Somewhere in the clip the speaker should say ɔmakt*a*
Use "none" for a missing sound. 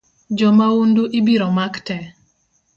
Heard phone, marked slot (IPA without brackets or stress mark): ɛ